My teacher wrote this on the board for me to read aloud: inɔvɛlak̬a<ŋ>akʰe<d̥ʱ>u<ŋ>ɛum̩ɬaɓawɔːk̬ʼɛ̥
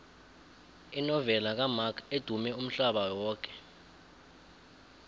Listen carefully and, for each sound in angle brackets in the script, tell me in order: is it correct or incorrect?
incorrect, correct, incorrect

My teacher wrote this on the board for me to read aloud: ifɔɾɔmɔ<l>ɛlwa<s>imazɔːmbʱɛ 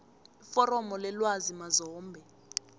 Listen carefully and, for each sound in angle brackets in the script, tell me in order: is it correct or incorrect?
correct, incorrect

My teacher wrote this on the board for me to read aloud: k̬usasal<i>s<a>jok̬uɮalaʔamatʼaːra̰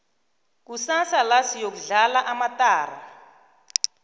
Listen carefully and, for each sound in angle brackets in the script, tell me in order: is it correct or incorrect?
incorrect, incorrect

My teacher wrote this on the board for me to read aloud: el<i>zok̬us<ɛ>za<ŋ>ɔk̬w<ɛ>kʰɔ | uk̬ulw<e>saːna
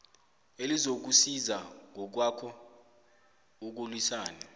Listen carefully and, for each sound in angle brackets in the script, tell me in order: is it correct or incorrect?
correct, incorrect, correct, incorrect, incorrect

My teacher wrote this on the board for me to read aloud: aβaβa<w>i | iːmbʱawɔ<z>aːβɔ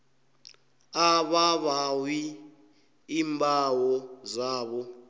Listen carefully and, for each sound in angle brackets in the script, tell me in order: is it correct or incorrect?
correct, correct

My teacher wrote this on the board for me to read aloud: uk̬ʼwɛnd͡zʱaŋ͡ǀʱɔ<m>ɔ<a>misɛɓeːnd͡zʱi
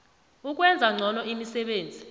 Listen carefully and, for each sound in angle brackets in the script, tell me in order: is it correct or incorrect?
incorrect, incorrect

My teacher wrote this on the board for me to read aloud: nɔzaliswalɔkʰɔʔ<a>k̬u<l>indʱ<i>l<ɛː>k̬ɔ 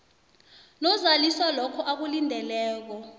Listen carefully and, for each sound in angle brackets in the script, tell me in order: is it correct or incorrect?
correct, correct, incorrect, correct

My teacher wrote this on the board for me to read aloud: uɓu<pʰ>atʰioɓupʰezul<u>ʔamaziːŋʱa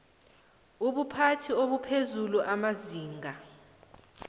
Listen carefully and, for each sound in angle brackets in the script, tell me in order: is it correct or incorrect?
correct, correct

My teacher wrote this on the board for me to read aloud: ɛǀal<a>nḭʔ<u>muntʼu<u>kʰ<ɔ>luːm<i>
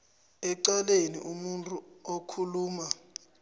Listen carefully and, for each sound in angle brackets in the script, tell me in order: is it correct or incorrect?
incorrect, correct, incorrect, incorrect, incorrect

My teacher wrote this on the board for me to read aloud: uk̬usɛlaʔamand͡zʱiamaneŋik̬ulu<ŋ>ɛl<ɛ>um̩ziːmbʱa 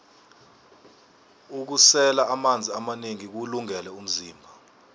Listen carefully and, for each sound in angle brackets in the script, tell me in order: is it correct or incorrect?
correct, correct

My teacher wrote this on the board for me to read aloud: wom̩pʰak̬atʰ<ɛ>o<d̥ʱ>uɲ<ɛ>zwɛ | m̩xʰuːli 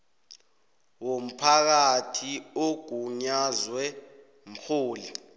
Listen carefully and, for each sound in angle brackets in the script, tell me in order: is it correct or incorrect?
incorrect, incorrect, incorrect

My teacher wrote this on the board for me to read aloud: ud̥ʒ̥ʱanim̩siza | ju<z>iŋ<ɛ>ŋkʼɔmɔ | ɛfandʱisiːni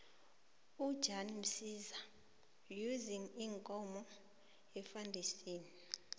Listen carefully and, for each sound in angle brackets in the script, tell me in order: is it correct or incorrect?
correct, incorrect

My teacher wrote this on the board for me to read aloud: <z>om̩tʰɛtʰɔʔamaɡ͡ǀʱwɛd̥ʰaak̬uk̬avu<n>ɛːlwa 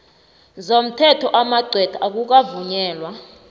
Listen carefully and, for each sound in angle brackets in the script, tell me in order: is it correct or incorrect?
correct, incorrect

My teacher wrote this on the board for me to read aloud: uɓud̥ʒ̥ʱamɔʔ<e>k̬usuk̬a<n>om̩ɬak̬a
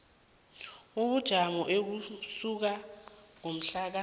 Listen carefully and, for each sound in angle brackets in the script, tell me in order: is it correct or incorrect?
correct, incorrect

